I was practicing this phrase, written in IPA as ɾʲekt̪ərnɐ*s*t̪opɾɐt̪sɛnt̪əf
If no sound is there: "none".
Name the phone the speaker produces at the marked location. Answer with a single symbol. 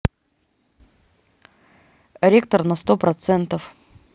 s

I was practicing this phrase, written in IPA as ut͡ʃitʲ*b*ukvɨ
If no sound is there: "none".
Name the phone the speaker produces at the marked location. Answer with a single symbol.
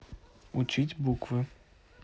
b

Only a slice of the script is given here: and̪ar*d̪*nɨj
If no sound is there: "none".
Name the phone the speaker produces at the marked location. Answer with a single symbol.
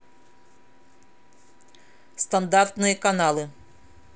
t̪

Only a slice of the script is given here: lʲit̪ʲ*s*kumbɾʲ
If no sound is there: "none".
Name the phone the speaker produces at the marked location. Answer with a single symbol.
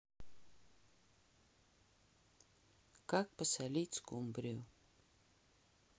s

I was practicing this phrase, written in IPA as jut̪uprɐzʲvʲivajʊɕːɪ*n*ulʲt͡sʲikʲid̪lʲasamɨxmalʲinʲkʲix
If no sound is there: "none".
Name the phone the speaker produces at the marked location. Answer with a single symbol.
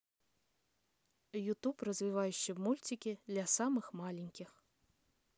m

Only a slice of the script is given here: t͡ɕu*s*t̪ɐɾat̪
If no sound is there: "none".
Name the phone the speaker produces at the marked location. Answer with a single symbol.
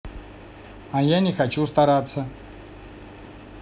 s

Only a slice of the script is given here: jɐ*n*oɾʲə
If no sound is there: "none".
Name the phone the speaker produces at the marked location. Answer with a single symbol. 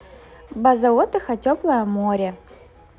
m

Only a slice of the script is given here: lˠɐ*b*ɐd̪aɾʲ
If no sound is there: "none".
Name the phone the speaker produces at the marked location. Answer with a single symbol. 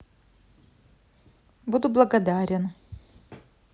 ɡ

